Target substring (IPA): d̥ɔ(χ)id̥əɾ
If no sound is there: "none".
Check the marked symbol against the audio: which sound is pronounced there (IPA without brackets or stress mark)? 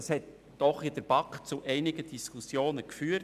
χ